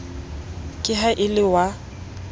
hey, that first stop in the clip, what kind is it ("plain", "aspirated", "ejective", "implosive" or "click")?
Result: ejective